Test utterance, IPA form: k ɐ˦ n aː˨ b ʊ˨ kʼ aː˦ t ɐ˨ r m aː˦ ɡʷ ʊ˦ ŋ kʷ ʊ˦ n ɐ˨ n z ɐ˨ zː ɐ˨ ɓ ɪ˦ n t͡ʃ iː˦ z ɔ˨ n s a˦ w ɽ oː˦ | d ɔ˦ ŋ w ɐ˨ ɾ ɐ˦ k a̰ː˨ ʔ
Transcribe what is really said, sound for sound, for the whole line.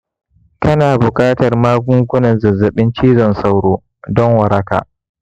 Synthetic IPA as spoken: k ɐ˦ n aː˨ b ʊ˨ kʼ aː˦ t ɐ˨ r m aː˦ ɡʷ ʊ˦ ŋ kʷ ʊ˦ n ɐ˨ n z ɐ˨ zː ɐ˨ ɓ ɪ˦ n t͡ʃ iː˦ z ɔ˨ n s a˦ w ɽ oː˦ | d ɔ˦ ŋ w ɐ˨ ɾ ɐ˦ k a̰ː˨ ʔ